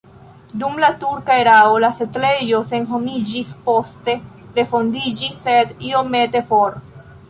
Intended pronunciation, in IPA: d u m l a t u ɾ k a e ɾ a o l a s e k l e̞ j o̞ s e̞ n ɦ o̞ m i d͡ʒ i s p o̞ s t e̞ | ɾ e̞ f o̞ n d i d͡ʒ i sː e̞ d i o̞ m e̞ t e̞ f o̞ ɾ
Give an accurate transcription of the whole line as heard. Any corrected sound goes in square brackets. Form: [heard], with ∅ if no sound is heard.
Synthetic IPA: d u m l a t u ɾ k a e ɾ a o l a s e [t] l e̞ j o̞ s e̞ n ɦ o̞ m i d͡ʒ i s p o̞ s t e̞ | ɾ e̞ f o̞ n d i d͡ʒ i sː e̞ d i o̞ m e̞ t e̞ f o̞ ɾ

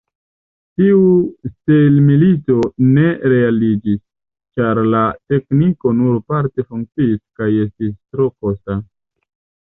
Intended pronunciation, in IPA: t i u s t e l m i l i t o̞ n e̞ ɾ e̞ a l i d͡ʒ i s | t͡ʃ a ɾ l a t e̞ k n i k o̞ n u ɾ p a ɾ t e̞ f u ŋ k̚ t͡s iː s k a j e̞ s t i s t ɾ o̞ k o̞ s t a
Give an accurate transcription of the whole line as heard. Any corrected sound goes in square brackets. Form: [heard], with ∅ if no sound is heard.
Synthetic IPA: t i u s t e l m i l i t o̞ n e̞ ɾ e̞ a l i d͡ʒ i s | t͡ʃ a ɾ l a t e̞ k n i k o̞ n u ɾ p a ɾ t e̞ f u ŋ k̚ t͡s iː s k a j e̞ s t i s t ɾ o̞ k o̞ s t a

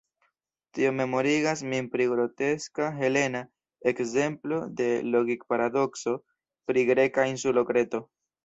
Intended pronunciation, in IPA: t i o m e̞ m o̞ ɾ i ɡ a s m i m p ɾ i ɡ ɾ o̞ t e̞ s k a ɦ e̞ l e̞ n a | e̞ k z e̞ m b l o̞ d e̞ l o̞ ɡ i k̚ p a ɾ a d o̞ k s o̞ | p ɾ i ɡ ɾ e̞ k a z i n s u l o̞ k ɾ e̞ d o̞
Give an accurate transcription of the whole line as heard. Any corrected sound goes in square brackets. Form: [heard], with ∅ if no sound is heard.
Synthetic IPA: t i o m e̞ m o̞ ɾ i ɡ a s m i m p ɾ i ɡ ɾ o̞ t e̞ s k a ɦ e̞ l e̞ n a | e̞ k z e̞ m [p] l o̞ d e̞ l o̞ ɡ i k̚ p a ɾ a d o̞ k s o̞ | p ɾ i ɡ ɾ e̞ k a [∅] i n s u l o̞ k ɾ e̞ [t] o̞

